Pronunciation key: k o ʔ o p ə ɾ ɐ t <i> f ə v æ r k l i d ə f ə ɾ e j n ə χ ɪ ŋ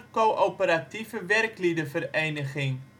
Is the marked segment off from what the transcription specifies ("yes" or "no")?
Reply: no